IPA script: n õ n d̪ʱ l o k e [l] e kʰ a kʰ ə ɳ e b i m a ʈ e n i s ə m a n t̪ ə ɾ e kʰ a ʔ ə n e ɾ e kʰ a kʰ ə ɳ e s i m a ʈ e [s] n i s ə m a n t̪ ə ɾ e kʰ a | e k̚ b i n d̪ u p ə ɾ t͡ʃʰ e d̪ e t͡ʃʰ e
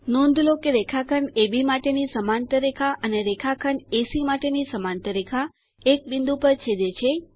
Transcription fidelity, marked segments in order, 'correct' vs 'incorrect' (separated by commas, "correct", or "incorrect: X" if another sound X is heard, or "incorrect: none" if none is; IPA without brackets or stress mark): incorrect: ɾ, incorrect: none